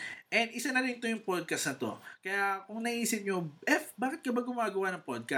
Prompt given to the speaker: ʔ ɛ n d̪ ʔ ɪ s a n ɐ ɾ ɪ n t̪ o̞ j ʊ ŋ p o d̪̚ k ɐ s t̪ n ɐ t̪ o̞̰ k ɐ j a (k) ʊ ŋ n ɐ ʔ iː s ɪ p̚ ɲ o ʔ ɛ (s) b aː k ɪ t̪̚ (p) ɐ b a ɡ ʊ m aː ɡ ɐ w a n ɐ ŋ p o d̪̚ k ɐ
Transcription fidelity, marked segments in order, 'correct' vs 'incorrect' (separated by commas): correct, incorrect, incorrect